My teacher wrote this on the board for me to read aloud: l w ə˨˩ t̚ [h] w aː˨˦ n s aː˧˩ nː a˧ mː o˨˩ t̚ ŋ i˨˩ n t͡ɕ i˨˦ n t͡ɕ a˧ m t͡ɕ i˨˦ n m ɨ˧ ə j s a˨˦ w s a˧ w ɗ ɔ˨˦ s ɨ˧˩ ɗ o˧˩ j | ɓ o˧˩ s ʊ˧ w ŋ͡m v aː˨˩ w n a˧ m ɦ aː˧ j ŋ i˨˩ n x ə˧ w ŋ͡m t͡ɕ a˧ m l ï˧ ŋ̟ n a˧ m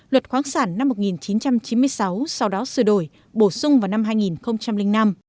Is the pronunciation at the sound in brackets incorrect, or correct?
incorrect